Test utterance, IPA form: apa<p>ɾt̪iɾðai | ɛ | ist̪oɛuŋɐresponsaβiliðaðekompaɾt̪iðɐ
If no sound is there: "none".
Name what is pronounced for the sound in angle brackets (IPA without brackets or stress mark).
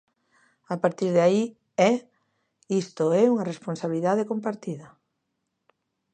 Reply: none